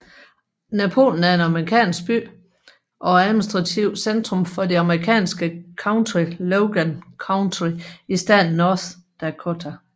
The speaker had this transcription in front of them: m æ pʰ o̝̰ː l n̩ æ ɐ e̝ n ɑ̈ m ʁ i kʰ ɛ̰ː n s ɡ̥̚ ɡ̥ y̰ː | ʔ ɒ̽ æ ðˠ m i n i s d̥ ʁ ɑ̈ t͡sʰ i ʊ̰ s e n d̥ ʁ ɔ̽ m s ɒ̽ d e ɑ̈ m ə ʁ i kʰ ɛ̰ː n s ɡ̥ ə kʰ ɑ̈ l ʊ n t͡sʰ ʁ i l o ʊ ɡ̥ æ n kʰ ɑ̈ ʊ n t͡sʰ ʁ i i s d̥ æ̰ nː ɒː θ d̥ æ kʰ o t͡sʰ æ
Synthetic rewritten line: n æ pʰ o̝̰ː l n̩ æ ɐ e̝ n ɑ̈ m ʁ i kʰ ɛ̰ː n s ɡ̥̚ b̥ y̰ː | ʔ ɒ̽ æ ðˠ m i n i s d̥ ʁ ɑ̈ t͡sʰ i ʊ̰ s e n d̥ ʁ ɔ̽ m f ɒ̽ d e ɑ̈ m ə ʁ i kʰ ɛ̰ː n s ɡ̥ ə kʰ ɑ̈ ʊ n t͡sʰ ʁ i l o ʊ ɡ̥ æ n kʰ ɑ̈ ʊ n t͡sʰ ʁ i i s d̥ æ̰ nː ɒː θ d̥ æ kʰ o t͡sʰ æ